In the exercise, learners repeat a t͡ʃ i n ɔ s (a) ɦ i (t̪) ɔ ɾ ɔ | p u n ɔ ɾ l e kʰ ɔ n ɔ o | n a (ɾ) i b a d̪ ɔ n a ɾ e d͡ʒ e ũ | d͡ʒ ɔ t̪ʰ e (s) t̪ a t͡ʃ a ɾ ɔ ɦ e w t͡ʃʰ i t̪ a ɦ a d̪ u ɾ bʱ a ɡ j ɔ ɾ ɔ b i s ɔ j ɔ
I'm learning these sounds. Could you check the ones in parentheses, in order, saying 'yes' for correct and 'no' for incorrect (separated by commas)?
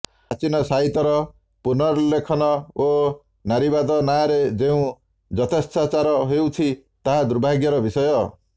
yes, yes, yes, yes